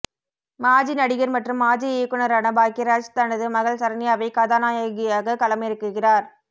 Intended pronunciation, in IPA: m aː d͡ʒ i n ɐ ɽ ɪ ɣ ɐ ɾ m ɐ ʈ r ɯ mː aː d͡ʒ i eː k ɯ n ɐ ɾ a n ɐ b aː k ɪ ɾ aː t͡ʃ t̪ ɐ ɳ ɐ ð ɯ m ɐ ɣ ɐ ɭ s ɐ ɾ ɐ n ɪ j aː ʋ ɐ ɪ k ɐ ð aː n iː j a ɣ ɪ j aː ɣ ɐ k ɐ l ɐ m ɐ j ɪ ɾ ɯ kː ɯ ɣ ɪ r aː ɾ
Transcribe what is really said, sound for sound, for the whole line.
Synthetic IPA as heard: m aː d͡ʒ i n ɐ ɽ ɪ ɣ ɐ ɾ m ɐ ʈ r ɯ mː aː d͡ʒ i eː k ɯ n ɐ ɾ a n ɐ b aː k ɪ ɾ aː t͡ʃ t̪ ɐ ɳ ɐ ð ɯ m ɐ ɣ ɐ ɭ s ɐ ɾ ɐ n ɪ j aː ʋ ɐ ɪ k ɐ ð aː n aː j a ɣ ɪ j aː ɣ ɐ k ɐ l ɐ m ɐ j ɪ ɾ ɯ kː ɯ ɣ ɪ r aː ɾ